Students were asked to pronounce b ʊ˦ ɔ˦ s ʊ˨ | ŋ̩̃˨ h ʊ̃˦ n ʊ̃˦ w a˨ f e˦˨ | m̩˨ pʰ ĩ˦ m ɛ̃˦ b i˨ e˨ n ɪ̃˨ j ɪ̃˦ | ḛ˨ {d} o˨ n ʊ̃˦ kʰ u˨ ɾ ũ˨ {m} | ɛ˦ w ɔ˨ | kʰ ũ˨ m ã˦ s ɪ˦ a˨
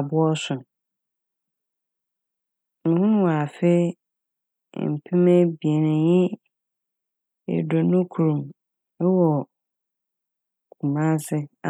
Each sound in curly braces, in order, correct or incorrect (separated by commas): correct, correct